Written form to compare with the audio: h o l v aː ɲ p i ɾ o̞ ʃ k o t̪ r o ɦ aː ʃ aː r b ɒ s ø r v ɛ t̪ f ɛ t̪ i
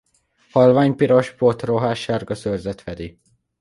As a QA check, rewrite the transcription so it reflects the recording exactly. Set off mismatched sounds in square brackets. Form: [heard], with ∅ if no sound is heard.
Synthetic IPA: h [ɒ] l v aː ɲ p i ɾ o̞ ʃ [p] o t̪ r o ɦ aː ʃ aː r [ɡ] ɒ s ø r [z] ɛ t̪ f ɛ [d̪] i

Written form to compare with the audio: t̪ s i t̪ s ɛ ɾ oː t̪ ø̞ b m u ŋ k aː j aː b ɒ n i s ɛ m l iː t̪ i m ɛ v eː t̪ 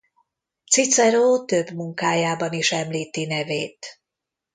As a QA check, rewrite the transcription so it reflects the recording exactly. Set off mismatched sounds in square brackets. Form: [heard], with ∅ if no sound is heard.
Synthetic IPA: t̪ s i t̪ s ɛ ɾ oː t̪ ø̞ b m u ŋ k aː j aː b ɒ n i [ʃ] ɛ m l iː t̪ i [n] ɛ v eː t̪

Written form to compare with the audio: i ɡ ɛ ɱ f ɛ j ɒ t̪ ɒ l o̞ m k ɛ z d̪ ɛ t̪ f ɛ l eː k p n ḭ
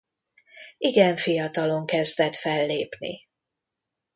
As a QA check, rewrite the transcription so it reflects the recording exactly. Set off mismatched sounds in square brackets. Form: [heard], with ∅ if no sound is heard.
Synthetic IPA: i ɡ ɛ ɱ f [i] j ɒ t̪ ɒ l o̞ [ŋ] k ɛ z d̪ ɛ t̪ f ɛ [lː] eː [∅] p n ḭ

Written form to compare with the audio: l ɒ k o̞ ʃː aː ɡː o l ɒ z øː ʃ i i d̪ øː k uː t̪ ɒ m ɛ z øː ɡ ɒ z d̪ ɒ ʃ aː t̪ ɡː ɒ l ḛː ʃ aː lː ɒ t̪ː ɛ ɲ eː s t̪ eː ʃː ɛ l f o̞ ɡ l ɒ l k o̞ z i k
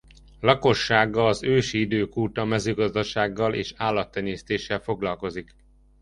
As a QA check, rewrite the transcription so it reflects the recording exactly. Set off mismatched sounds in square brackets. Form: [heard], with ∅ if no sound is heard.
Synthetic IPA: l ɒ k o̞ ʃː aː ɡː [ɒ] l ɒ z øː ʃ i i d̪ øː k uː t̪ ɒ m ɛ z øː ɡ ɒ z d̪ ɒ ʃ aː [∅] ɡː ɒ l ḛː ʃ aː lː ɒ t̪ː ɛ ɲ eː s t̪ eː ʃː ɛ l f o̞ ɡ l ɒ l k o̞ z i k

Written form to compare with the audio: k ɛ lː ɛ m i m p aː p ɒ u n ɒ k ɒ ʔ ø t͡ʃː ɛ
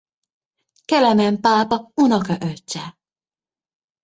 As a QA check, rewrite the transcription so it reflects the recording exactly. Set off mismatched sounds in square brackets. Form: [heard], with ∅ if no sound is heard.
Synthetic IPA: k ɛ [l] ɛ m [ɛ] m p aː p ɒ u n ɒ k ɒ ʔ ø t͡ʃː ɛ

